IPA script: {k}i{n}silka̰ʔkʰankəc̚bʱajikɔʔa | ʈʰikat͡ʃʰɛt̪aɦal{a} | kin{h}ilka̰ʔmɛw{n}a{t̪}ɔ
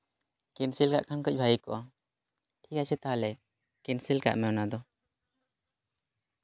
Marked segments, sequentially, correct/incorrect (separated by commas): correct, correct, incorrect, incorrect, correct, incorrect